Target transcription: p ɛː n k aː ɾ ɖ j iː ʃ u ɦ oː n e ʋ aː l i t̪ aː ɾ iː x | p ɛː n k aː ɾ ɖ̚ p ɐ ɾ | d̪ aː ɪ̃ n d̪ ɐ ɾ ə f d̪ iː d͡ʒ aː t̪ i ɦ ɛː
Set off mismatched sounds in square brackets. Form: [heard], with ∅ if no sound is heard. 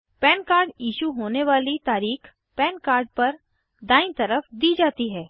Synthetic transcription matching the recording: p ɛː n k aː ɾ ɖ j iː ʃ u ɦ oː n e ʋ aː l i t̪ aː ɾ iː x | p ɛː n k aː ɾ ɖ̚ p ɐ ɾ | d̪ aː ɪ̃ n [t̪] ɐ ɾ ə f d̪ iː d͡ʒ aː t̪ i ɦ ɛː

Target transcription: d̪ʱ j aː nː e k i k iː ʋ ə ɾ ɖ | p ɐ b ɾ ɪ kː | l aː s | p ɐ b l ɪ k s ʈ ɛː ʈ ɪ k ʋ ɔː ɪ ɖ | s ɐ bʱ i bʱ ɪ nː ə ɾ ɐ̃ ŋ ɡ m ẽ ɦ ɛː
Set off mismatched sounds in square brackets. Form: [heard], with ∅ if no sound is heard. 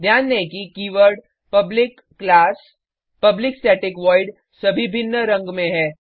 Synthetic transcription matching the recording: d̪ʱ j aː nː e k i k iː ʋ ə ɾ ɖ | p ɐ b [l] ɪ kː | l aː s | p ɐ b l ɪ k s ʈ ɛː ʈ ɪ k ʋ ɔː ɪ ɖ | s ɐ bʱ i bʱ ɪ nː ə ɾ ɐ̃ ŋ ɡ m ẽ ɦ ɛː

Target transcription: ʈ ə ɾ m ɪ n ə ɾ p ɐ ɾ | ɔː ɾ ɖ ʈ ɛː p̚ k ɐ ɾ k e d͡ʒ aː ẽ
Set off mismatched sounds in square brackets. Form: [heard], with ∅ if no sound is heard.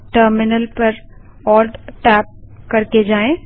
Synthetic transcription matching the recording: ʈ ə ɾ m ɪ n ə [l] p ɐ ɾ | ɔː [l] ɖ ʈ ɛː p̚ k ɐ ɾ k e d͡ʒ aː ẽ

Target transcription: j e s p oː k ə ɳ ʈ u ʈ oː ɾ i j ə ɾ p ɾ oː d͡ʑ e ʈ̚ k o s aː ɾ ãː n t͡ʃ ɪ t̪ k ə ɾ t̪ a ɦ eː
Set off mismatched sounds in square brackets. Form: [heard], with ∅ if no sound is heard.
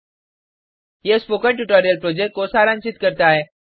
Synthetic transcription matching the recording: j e s p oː k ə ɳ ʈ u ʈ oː ɾ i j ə [l] p ɾ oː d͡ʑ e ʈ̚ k o s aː ɾ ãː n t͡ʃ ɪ t̪ k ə ɾ t̪ a ɦ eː

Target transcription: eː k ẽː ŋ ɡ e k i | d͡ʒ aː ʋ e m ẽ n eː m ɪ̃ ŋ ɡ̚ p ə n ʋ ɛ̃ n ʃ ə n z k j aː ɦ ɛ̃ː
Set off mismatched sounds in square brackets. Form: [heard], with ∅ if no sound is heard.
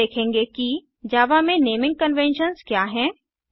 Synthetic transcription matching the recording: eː [kʰ] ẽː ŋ ɡ e k i | d͡ʒ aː ʋ [a] m ẽ n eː m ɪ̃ ŋ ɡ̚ [k] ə n ʋ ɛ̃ n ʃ ə n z k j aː ɦ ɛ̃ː

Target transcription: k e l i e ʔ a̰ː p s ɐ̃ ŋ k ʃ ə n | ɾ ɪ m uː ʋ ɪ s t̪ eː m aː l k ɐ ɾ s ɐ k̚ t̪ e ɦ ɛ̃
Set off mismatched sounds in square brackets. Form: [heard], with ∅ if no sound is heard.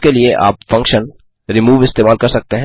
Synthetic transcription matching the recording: k e l i e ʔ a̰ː p [f] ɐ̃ ŋ k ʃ ə n | ɾ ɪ m uː ʋ ɪ s t̪ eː m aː l k ɐ ɾ s ɐ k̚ t̪ e ɦ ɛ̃

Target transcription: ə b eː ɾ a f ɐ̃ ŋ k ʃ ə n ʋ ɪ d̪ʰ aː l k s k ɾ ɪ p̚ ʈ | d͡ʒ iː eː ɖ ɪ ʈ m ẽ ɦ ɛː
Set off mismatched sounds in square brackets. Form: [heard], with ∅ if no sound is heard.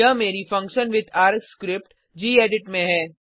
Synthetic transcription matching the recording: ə [m] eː ɾ [i] f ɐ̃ ŋ k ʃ ə n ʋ ɪ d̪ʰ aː [ɾ] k s k ɾ ɪ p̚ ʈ | d͡ʒ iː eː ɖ ɪ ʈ m ẽ ɦ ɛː

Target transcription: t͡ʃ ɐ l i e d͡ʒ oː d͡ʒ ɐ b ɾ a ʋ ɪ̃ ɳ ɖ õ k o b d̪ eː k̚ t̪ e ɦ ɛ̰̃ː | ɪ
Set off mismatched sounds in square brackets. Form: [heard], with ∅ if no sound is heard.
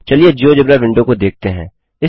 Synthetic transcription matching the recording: t͡ʃ ɐ l i e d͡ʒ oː d͡ʒ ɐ b ɾ a ʋ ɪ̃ ɳ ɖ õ k o [∅] d̪ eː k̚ t̪ e ɦ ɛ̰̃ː | ɪ

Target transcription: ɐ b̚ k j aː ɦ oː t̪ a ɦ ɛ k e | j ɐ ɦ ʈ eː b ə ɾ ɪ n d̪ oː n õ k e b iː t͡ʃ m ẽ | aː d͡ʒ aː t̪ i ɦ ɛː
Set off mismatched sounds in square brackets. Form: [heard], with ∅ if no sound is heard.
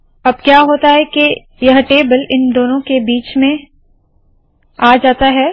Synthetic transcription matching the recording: ɐ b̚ k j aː ɦ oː t̪ a ɦ ɛ k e | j ɐ ɦ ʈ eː b ə [l] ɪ n d̪ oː n õ k e b iː t͡ʃ m ẽ | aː d͡ʒ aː t̪ [a] ɦ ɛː

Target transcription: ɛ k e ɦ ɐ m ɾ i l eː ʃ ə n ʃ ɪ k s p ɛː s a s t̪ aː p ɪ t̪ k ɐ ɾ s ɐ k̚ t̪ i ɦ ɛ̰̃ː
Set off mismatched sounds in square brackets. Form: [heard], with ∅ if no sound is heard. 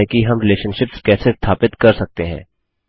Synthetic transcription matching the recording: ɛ k [i] ɦ ɐ m ɾ [ɪ] l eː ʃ ə n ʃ ɪ [p] s [k] ɛː s [e] s [t̪ʰ] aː p ɪ t̪ k ɐ ɾ s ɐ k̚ t̪ [e] ɦ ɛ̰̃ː

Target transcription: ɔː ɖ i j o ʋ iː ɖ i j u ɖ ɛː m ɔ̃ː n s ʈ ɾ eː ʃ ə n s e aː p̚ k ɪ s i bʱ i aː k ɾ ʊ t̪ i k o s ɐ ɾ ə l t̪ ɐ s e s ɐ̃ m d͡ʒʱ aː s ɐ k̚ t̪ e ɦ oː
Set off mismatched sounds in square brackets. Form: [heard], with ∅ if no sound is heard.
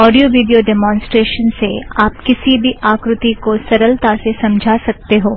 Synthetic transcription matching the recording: ɔː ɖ i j o ʋ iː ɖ i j [o] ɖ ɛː m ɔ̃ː n s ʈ ɾ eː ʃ ə n s e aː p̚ k ɪ s i bʱ i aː k ɾ ʊ t̪ i k o s ɐ ɾ ə l t̪ [a] s e s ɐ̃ m d͡ʒʱ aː s ɐ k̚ t̪ e ɦ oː

